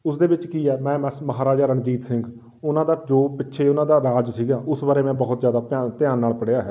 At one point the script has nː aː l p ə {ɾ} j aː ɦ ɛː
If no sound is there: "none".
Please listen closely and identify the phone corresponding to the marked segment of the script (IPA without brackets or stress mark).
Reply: ɽ